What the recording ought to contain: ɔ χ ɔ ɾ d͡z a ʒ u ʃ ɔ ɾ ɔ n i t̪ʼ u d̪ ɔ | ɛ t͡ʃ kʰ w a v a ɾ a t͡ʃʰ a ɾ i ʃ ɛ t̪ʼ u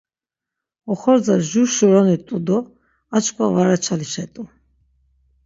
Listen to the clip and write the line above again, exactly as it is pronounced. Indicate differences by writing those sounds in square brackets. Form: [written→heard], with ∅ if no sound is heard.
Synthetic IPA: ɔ χ ɔ ɾ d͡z a ʒ u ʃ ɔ ɾ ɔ n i t̪ʼ u d̪ ɔ | [ɛ→a] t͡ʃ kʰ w a v a ɾ a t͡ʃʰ a [ɾ→l] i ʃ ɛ t̪ʼ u